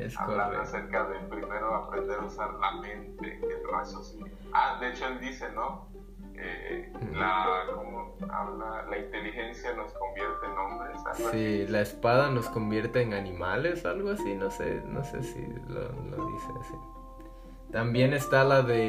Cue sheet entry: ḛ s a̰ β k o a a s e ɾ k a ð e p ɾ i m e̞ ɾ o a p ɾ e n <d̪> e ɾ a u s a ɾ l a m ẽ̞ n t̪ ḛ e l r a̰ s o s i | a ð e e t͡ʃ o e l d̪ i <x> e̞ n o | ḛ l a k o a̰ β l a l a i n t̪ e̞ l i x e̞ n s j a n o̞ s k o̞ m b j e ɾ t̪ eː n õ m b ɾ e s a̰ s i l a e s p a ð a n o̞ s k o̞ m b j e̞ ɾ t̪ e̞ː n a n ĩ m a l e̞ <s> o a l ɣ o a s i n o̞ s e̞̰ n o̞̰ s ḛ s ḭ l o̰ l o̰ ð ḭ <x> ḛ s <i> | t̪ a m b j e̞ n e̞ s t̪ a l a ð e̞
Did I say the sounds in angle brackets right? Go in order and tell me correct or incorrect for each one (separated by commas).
correct, incorrect, correct, incorrect, correct